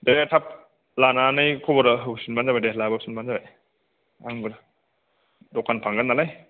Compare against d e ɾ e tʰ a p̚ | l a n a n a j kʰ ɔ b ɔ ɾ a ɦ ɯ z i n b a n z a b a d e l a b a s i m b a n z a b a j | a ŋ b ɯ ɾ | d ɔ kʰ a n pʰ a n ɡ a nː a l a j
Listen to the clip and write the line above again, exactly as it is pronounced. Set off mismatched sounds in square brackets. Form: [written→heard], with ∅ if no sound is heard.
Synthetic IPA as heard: d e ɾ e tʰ a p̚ | l a n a n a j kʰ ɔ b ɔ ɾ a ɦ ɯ [z→s] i n b a n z a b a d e l a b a s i [m→n] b a n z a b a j | a ŋ b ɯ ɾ | d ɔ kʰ a n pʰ a [n→ŋ] ɡ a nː a l a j